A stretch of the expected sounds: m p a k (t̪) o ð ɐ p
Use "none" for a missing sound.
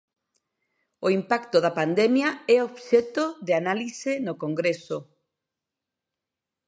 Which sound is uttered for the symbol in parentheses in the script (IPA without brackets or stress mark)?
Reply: t̪